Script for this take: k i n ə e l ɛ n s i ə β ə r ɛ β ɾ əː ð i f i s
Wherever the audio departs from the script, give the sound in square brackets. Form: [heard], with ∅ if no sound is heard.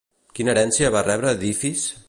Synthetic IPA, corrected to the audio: k i n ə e [ɾ] ɛ n s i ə β [a] r ɛ β ɾ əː ð i f i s